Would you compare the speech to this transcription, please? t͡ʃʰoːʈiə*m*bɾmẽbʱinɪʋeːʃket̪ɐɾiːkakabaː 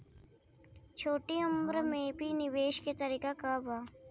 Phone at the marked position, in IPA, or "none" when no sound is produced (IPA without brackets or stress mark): m